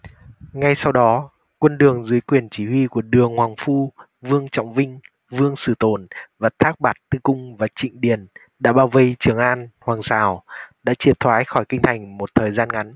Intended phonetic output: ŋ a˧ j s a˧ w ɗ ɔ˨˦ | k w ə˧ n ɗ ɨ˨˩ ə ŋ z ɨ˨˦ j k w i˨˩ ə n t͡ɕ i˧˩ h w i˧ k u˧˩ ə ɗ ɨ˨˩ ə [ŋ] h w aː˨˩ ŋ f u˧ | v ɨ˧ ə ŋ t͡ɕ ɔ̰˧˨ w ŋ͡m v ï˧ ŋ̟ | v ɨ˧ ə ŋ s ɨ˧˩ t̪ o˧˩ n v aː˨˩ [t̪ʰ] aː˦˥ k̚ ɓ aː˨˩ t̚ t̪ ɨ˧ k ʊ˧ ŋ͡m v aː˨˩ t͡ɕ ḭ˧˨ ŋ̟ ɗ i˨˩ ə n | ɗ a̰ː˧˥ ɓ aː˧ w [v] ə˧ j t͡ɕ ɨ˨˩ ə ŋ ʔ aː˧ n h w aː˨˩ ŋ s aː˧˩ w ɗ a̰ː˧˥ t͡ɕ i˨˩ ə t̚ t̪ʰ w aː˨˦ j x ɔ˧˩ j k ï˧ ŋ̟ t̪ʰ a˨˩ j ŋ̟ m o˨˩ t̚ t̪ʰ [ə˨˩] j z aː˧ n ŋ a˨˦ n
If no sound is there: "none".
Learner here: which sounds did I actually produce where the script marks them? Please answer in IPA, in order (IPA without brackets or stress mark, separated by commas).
ŋ, t̪ʰ, v, əː˨˩